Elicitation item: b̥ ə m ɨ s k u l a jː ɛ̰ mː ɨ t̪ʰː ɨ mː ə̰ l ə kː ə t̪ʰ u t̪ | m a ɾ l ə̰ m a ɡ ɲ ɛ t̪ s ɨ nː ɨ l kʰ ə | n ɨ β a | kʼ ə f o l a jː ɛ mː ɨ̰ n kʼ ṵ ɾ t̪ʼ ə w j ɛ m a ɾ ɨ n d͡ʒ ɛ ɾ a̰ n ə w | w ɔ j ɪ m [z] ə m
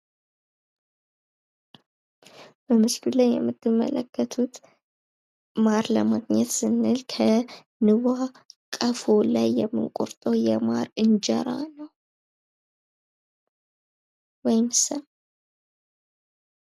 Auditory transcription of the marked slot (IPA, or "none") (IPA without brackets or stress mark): s